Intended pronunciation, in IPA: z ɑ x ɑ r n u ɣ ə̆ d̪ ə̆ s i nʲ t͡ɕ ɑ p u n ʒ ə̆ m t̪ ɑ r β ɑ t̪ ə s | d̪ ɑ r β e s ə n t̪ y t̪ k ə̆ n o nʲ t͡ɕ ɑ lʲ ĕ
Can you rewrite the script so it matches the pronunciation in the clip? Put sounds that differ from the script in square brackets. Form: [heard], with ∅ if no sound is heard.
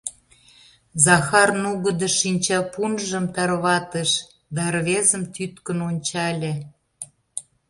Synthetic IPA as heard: z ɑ x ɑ r n u ɣ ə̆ d̪ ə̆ [ʃ] i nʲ t͡ɕ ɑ p u n ʒ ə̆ m t̪ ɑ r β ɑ t̪ ə [ʃ] | d̪ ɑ r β e [z] ə [m] t̪ y t̪ k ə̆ n o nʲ t͡ɕ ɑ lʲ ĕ